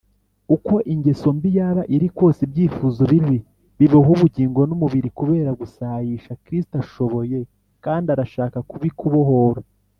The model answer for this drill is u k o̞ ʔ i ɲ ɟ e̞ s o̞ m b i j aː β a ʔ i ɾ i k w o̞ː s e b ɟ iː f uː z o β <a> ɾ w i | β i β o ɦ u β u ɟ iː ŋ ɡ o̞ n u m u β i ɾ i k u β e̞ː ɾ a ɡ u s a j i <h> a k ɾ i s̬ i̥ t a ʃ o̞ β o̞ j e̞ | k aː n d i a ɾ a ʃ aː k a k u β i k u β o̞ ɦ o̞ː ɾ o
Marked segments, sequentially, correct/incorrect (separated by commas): incorrect, incorrect